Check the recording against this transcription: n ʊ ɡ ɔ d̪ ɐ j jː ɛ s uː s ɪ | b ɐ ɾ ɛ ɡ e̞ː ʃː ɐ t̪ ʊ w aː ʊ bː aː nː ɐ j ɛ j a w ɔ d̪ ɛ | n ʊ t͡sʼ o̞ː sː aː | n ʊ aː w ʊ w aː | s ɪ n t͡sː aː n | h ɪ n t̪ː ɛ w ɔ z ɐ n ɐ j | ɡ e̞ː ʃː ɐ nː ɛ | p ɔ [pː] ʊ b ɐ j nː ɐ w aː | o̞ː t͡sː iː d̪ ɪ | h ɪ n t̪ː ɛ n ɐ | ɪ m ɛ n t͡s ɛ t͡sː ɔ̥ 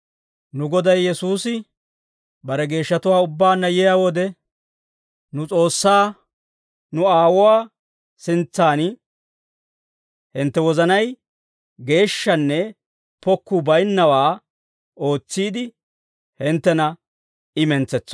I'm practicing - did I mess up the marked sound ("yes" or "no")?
yes